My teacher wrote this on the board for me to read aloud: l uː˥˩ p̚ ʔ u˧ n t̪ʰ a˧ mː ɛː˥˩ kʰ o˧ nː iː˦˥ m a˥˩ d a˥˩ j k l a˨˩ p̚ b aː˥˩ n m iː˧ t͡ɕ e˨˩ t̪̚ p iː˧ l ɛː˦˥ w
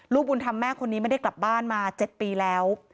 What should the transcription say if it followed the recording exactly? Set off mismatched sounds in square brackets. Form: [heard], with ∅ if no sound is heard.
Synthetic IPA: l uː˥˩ p̚ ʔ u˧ n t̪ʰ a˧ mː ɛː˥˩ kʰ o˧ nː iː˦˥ m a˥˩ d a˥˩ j k l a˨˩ p̚ b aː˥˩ n m [aː˧] t͡ɕ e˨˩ t̪̚ p iː˧ l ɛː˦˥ w